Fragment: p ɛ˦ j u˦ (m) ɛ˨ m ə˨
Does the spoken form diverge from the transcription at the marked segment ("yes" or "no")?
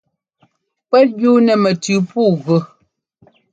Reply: yes